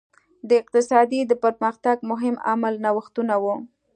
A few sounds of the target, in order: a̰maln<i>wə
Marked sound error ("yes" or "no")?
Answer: yes